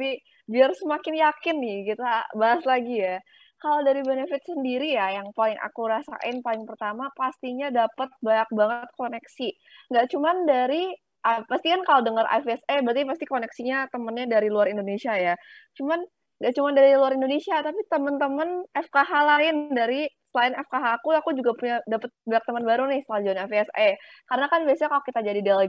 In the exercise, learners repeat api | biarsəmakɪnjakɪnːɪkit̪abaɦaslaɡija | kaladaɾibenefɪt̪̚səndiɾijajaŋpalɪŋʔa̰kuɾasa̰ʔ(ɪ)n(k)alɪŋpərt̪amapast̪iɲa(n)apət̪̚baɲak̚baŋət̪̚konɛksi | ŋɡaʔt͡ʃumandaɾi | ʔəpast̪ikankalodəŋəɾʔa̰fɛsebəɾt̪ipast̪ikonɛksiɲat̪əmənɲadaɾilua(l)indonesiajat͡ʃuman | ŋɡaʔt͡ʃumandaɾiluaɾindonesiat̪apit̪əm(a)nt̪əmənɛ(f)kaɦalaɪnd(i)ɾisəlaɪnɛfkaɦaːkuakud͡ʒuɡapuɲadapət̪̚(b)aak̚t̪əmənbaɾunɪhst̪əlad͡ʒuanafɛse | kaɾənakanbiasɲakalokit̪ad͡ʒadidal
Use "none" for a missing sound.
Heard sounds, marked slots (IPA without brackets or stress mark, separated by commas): ɪ, p, d, ɾ, ə, f, a, b